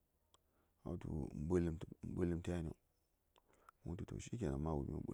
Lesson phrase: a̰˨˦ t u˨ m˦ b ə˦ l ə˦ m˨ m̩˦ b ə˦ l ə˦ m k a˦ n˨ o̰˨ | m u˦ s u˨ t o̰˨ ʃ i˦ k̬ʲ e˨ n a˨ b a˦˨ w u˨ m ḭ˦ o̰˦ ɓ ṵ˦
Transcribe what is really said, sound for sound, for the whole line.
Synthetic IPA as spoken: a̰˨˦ t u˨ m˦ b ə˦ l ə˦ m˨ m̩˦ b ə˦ l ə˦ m t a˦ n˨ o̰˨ | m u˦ t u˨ t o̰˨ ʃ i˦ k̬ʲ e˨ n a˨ m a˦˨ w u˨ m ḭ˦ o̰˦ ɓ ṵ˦